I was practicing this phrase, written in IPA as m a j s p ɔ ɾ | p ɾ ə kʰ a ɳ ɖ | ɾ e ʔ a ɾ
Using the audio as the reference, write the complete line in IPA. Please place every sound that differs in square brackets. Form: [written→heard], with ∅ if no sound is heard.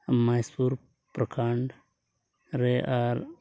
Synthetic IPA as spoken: m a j s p [ɔ→u] ɾ | p ɾ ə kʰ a ɳ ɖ | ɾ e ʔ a ɾ